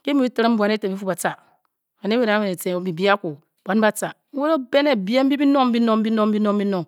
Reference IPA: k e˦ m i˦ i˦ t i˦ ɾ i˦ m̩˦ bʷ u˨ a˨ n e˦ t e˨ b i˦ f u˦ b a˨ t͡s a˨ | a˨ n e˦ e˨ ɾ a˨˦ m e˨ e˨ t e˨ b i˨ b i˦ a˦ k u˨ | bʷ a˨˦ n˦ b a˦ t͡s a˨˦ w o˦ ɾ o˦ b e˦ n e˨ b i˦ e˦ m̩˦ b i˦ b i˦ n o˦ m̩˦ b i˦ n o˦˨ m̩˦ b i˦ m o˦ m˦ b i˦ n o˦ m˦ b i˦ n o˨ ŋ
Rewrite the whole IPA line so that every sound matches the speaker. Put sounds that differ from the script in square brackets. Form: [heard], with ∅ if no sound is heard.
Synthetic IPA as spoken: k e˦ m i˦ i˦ t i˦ ɾ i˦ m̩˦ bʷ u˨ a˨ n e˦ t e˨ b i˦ f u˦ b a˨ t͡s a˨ | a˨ n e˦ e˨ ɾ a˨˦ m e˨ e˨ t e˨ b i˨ b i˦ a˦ k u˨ | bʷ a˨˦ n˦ b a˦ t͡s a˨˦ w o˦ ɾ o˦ b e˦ n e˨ b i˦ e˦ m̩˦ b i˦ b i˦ n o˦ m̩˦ b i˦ n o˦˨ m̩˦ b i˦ [n] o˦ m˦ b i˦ n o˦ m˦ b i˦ n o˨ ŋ